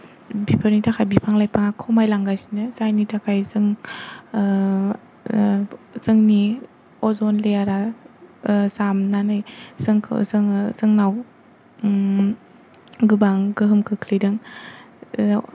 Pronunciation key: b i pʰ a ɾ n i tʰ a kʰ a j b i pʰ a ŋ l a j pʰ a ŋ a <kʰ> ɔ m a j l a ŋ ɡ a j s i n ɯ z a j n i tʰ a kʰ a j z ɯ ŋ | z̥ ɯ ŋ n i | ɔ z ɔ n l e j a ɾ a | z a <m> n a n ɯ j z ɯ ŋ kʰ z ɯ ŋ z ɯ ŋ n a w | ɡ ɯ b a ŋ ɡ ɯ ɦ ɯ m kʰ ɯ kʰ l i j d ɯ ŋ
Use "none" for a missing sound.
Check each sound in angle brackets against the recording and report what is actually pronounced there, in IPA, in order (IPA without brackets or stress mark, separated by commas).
kʰ, m